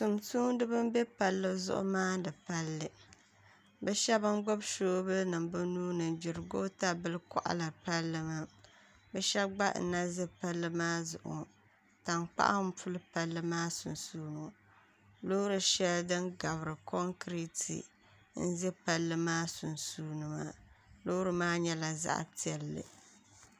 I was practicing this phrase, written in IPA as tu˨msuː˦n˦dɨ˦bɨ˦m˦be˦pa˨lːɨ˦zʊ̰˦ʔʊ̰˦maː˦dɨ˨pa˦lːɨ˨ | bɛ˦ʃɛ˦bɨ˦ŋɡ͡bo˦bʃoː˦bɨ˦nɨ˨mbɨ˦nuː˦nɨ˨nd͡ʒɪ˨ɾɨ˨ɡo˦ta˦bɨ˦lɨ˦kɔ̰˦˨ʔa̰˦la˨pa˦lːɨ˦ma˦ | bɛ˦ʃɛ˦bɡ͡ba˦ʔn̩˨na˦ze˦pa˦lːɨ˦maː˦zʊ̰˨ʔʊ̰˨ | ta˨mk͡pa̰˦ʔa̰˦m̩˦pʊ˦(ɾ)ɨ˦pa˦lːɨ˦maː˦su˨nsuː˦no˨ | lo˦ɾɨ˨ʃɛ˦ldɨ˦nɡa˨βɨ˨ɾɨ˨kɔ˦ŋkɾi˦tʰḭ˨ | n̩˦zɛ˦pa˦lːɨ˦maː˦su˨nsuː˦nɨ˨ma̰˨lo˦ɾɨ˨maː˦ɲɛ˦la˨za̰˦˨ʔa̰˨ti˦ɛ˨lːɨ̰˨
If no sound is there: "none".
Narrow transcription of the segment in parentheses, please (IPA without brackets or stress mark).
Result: l